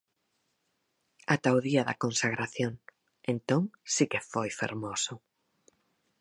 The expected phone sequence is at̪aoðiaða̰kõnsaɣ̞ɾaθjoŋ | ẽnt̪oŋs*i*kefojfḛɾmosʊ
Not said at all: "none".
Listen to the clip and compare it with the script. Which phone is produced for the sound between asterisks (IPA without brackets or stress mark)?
i